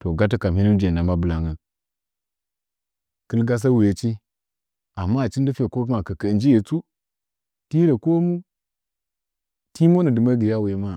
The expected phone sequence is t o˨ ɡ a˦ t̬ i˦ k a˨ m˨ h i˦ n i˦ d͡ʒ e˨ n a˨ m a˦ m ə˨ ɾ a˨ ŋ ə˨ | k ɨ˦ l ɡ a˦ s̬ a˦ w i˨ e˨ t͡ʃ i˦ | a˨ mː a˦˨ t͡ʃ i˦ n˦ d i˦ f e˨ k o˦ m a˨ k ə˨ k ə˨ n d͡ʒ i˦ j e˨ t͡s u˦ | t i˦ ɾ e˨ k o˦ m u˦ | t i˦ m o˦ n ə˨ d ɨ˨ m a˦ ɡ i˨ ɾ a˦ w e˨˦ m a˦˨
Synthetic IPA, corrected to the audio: t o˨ ɡ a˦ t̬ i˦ k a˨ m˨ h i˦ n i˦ d͡ʒ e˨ n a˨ m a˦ b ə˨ l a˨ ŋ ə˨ | k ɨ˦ l ɡ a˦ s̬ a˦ w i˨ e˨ t͡ʃ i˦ | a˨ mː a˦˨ t͡ʃ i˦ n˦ d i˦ f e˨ k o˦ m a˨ k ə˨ k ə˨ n d͡ʒ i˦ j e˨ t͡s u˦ | t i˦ ɾ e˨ k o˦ m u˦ | t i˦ m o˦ n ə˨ d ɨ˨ m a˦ ɡ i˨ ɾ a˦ w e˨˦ m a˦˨